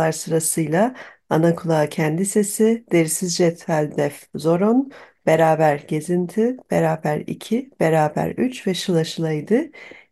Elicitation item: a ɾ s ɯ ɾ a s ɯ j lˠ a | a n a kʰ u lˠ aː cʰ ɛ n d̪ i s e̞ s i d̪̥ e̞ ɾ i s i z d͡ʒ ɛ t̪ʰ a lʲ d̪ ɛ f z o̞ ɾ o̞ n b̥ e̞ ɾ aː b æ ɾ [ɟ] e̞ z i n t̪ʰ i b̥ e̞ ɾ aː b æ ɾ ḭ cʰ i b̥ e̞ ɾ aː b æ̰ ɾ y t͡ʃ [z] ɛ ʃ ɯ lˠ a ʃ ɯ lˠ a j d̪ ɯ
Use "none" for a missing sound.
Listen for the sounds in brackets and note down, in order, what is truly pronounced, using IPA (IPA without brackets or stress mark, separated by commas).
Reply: ɟ, v